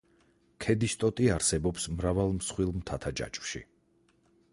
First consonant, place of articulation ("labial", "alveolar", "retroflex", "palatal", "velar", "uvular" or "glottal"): velar